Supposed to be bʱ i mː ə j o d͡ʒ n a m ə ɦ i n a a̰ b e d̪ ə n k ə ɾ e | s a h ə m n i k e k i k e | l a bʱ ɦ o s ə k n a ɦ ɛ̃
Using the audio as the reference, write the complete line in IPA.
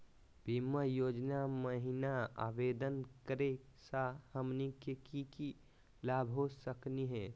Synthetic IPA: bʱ i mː ə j o d͡ʒ n a m ə ɦ i n a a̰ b e d̪ ə n k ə ɾ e | s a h ə m n i k e k i k i | l a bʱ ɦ o s ə k n i ɦ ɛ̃